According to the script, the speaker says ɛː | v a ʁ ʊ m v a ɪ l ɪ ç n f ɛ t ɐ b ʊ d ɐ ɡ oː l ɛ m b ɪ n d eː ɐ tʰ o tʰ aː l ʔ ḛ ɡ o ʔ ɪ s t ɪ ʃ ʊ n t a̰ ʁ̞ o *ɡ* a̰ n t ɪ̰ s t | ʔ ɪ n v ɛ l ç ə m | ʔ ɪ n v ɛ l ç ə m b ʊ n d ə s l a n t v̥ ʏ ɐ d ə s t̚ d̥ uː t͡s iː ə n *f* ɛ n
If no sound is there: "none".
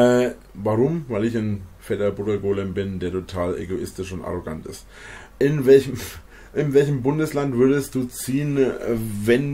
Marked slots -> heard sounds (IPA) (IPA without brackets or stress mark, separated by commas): ɡ, v